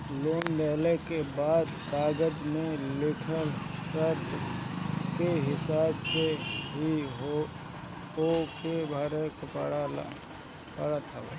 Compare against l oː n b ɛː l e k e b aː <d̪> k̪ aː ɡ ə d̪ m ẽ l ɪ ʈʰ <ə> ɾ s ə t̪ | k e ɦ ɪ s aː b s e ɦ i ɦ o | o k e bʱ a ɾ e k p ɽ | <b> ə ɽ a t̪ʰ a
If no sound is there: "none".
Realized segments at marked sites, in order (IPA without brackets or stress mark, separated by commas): d̪, ə, p